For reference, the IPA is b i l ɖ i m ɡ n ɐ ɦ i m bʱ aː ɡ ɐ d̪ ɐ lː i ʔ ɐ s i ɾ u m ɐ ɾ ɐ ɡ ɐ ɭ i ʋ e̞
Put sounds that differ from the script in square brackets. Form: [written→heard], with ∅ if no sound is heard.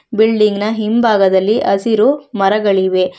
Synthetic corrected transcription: b i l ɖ i [m→ŋ] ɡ n ɐ ɦ i m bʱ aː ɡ ɐ d̪ ɐ lː i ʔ ɐ s i ɾ u m ɐ ɾ ɐ ɡ ɐ ɭ i ʋ e̞